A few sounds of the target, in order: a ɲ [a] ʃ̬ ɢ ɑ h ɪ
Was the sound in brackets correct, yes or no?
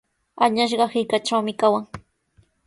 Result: yes